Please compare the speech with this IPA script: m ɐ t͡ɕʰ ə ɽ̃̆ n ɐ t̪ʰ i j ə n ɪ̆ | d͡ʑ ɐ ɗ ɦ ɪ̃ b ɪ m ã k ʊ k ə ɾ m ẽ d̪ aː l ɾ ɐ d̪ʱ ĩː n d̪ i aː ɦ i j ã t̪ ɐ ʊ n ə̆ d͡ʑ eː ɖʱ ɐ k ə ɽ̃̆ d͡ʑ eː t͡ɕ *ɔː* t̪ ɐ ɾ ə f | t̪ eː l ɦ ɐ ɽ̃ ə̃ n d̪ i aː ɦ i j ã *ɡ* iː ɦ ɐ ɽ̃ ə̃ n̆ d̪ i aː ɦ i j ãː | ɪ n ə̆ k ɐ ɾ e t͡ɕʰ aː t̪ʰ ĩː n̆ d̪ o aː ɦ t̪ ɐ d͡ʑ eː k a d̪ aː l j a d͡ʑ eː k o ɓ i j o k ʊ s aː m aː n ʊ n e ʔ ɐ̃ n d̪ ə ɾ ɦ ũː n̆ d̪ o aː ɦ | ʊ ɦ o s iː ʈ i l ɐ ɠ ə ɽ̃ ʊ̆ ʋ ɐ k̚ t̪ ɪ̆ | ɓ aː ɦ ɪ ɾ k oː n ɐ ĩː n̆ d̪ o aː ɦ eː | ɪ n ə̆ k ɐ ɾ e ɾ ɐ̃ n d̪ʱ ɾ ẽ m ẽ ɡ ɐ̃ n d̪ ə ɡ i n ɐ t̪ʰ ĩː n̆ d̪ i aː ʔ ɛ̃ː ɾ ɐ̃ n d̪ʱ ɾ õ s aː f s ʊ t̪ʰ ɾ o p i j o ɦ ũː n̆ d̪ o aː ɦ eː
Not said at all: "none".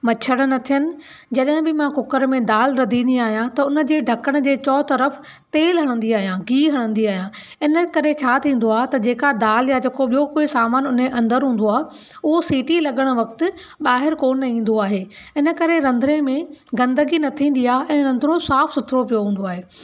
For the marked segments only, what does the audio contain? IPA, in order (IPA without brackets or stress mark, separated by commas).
ɔː, ɡ